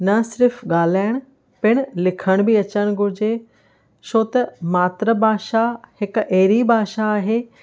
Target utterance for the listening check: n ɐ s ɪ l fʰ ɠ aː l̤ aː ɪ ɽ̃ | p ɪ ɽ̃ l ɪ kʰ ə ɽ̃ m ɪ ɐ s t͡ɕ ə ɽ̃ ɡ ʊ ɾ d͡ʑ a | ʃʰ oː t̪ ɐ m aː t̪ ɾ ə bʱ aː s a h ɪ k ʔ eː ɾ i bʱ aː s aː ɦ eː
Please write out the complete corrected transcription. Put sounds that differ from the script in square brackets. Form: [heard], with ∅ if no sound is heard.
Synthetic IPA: n ɐ s ɪ [ɾ] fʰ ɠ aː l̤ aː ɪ ɽ̃ | p ɪ ɽ̃ l ɪ kʰ ə ɽ̃ [b] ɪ ɐ [∅] t͡ɕ ə ɽ̃ ɡ ʊ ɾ d͡ʑ [e] | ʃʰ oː t̪ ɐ m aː t̪ ɾ ə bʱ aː [ʃ] a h ɪ k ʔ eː ɾ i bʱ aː [ʃ] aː ɦ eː